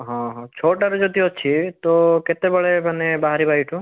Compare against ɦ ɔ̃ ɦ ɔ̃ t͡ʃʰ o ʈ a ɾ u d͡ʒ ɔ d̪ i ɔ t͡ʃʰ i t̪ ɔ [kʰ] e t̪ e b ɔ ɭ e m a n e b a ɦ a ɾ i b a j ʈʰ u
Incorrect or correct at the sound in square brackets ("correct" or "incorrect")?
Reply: incorrect